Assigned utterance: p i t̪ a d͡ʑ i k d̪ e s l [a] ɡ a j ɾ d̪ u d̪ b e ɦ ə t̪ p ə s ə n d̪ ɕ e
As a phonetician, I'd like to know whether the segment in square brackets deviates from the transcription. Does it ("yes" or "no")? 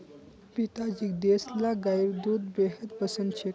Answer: no